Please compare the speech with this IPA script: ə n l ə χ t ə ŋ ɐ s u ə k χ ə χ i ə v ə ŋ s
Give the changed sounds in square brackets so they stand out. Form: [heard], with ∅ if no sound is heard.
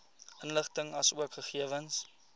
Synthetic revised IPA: ə n l ə χ t ə ŋ ɐ s u ə k χ ə χ i ə v ə [n] s